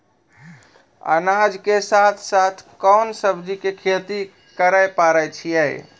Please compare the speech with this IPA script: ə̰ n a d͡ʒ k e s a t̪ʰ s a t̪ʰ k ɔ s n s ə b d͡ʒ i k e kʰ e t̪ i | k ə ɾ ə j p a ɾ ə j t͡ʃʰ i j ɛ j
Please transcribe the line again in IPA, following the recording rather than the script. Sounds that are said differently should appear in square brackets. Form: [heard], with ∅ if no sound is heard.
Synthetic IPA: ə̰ n a d͡ʒ k e s a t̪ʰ s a t̪ʰ k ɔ [∅] n s ə b d͡ʒ i k e kʰ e t̪ i | k ə ɾ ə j p a ɾ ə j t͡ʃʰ i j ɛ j